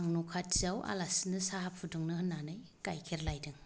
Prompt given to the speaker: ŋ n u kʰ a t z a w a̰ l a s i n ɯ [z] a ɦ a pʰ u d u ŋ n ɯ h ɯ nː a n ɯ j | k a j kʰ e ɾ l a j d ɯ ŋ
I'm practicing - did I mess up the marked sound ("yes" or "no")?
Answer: yes